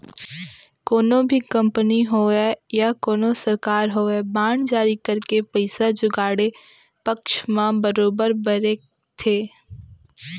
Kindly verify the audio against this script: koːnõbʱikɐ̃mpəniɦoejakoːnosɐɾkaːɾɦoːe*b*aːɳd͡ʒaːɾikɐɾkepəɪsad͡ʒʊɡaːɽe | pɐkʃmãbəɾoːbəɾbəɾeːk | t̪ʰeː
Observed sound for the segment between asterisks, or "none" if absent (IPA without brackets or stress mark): b